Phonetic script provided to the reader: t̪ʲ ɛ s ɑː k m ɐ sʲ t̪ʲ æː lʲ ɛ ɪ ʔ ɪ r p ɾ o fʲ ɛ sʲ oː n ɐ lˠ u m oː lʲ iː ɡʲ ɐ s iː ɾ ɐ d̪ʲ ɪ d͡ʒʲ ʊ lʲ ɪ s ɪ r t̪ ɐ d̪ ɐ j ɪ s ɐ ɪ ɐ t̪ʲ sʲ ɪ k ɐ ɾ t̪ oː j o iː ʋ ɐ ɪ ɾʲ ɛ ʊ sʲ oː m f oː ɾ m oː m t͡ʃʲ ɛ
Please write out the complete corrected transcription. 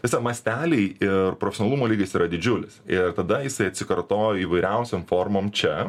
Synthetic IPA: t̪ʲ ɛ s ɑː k m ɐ sʲ t̪ʲ æː lʲ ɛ ɪ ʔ ɪ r p ɾ o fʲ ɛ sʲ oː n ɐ lˠ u m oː lʲ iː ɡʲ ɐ s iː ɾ ɐ d̪ʲ ɪ d͡ʒʲ ʊ lʲ ɪ s ɪ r t̪ ɐ d̪ ɐ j ɪ s ɐ ɪ ɐ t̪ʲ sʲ ɪ k ɐ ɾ t̪ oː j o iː ʋ ɐ ɪ ɾʲ ɛ ʊ sʲ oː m f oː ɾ m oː m t͡ʃʲ ɛ